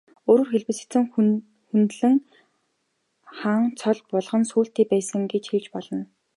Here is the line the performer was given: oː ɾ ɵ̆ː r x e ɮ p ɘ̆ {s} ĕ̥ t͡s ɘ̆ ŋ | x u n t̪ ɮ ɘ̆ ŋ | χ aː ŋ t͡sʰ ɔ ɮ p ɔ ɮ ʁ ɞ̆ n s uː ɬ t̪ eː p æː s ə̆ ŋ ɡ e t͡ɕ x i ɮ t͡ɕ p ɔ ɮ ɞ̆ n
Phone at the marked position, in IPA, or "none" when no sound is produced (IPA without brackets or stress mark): s